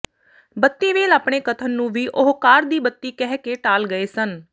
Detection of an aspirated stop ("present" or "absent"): present